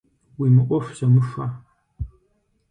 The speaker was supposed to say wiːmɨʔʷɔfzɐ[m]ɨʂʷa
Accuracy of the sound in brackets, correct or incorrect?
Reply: correct